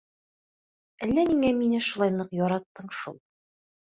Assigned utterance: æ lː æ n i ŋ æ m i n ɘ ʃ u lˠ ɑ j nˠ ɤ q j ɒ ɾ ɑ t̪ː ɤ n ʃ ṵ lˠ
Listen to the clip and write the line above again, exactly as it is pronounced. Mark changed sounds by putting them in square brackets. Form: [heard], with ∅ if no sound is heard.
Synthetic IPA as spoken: æ lː æ n i ŋ æ m i n ɘ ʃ u lˠ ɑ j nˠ ɤ q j ɒ ɾ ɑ t̪ː ɤ [ɴ] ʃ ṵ lˠ